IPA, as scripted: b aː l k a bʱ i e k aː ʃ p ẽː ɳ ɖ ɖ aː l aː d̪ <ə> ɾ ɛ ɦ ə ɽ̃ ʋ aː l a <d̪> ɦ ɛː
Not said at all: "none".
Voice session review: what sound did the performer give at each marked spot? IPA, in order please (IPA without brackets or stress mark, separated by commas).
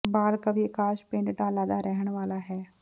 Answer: a, none